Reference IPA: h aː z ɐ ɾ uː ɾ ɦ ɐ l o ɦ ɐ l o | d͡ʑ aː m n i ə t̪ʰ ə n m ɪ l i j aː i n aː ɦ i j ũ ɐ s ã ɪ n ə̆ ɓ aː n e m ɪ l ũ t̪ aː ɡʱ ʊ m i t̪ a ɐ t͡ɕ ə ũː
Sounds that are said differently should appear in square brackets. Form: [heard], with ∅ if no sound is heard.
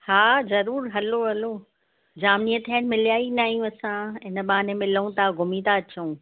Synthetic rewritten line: h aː z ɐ ɾ uː ɾ ɦ ɐ l o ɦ ɐ l o | d͡ʑ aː m n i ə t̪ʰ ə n m ɪ l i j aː i n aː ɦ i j ũ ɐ s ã ɪ n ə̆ ɓ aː n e m ɪ l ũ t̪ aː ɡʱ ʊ m i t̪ a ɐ t͡ɕ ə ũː